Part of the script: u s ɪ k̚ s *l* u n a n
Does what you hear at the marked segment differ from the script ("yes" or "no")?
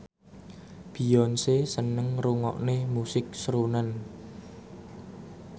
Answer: yes